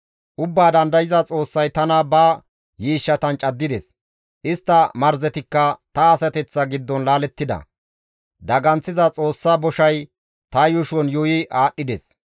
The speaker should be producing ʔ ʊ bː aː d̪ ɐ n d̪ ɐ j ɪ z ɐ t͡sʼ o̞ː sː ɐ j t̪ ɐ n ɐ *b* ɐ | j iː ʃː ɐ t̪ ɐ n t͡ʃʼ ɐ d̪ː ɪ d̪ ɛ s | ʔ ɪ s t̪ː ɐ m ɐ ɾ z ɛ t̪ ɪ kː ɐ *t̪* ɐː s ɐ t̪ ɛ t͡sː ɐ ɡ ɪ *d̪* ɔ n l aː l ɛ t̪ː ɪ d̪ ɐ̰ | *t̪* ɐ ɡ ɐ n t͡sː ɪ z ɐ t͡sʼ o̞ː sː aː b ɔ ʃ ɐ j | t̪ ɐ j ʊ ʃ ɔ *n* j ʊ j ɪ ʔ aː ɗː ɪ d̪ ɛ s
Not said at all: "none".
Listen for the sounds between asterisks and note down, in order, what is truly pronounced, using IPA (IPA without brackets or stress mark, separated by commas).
b, t̪, d̪ː, d̪, n